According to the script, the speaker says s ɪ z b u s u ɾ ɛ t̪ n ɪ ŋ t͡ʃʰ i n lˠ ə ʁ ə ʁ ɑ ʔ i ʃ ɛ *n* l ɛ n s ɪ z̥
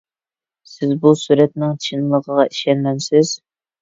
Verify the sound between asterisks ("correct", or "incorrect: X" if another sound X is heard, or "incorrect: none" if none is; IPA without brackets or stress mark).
correct